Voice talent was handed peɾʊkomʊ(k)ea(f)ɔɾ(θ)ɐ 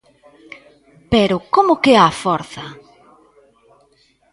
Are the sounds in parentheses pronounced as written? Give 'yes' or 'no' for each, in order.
yes, yes, yes

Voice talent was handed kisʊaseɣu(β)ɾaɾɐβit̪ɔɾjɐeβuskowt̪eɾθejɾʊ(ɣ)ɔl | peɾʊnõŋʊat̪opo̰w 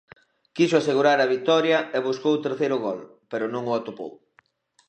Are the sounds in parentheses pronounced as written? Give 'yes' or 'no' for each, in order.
no, yes

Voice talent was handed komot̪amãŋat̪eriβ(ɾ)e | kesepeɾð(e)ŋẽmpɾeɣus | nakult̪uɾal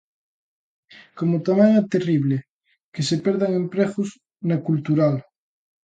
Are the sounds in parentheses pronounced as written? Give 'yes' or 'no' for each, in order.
no, no

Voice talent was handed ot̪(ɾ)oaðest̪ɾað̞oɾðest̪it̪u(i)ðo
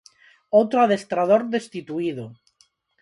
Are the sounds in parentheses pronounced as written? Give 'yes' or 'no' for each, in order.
yes, yes

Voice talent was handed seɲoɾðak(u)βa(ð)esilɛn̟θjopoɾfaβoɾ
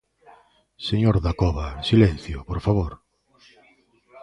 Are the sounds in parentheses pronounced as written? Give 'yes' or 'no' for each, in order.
no, no

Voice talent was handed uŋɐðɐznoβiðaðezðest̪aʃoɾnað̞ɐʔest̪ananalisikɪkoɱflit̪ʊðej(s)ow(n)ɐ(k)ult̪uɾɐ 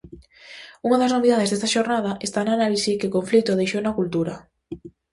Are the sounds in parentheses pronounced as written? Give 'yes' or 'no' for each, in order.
no, yes, yes

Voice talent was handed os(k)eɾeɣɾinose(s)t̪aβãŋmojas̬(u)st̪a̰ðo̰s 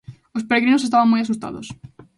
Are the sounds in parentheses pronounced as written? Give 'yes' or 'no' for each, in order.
no, yes, yes

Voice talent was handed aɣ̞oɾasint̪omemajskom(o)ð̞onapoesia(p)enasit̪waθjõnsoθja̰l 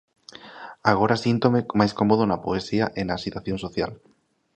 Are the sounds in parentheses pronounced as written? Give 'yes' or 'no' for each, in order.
yes, no

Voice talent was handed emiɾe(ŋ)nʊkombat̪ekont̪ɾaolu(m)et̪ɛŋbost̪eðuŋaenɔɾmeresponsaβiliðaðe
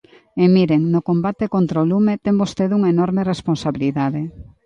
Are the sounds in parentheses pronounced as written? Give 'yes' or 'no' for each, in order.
yes, yes

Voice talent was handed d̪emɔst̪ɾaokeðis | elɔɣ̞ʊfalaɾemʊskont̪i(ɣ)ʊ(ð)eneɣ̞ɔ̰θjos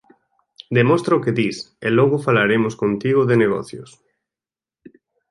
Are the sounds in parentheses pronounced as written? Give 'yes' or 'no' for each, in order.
yes, yes

